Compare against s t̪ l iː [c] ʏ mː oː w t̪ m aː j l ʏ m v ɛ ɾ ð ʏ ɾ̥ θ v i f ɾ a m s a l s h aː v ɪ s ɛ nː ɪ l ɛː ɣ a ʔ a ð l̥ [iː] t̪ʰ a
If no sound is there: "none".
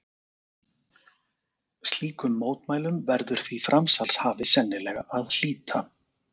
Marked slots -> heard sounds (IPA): k, iː

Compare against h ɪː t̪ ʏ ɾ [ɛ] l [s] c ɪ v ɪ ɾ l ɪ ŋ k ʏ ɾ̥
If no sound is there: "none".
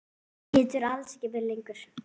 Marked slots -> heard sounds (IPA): a, s

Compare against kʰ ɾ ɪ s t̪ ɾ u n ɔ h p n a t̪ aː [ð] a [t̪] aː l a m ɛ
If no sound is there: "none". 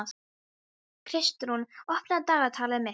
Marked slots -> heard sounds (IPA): ɣ, t̪ʰ

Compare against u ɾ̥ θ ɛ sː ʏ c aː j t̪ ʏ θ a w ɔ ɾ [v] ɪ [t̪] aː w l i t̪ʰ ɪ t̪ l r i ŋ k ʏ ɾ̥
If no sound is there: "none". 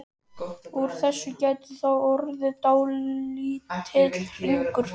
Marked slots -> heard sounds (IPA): ð, t̪

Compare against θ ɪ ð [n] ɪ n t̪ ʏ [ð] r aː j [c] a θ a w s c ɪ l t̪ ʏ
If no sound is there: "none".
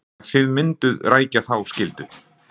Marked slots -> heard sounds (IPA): m, ð, c

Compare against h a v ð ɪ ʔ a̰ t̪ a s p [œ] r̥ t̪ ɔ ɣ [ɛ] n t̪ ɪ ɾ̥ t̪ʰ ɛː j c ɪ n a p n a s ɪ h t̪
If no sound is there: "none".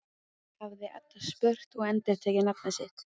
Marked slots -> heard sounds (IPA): œ, ɛ

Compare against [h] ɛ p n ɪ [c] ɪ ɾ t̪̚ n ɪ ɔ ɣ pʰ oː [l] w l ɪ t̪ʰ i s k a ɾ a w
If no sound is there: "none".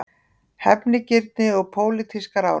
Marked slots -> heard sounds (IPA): h, c, none

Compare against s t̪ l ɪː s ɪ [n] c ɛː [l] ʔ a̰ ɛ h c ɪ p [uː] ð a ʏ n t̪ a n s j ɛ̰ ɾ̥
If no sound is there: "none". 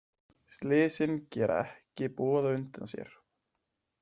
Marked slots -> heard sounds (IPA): n, ɾ, ɔː

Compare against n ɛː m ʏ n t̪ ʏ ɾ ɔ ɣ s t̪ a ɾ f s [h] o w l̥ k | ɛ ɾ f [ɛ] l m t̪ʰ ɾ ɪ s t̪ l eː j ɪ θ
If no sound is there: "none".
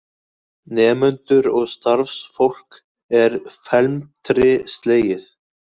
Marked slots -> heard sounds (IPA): f, ɛ

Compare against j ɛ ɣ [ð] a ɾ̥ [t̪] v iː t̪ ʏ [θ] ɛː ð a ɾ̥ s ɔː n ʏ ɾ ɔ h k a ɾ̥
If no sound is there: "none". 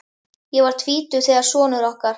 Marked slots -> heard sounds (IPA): v, t̪ʰ, θ

